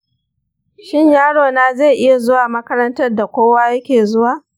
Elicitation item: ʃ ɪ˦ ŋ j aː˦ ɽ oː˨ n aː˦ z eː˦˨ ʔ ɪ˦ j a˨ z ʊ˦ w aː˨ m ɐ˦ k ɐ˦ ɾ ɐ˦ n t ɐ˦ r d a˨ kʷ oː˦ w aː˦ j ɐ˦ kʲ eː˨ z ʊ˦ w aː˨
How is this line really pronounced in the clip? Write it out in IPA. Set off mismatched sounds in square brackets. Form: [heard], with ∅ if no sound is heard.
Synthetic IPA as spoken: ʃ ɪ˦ [ɲ] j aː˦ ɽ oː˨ n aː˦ z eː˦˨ ʔ ɪ˦ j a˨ z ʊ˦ w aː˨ m ɐ˦ k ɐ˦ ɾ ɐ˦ n t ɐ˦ r d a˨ kʷ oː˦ w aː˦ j ɐ˦ kʲ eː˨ z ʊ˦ w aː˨

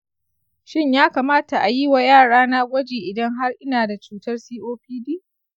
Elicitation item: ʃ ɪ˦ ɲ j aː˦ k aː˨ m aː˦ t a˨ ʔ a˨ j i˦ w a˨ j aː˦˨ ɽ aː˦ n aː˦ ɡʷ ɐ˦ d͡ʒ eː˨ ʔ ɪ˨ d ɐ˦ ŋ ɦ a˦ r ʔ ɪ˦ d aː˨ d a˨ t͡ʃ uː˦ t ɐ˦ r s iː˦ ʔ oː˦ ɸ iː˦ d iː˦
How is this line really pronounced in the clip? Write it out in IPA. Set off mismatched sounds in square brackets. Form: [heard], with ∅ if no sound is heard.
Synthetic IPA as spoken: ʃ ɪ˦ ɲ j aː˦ k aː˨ m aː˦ t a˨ ʔ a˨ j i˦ w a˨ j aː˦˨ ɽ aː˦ n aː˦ ɡʷ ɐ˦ d͡ʒ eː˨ ʔ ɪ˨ d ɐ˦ ŋ ɦ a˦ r ʔ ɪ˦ [n] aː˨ d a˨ t͡ʃ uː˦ t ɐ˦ r s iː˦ ʔ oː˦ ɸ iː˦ d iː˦

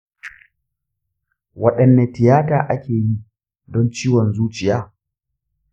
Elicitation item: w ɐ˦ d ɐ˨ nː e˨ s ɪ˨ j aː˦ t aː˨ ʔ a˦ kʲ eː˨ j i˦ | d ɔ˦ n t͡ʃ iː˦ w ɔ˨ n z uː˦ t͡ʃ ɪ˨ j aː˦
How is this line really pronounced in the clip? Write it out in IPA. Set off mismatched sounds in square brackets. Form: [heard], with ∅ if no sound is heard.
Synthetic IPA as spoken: w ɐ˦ [ɗ] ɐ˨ nː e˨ [t] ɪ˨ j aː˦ t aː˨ ʔ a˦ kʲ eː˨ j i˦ | d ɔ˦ n t͡ʃ iː˦ w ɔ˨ n z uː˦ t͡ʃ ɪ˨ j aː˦

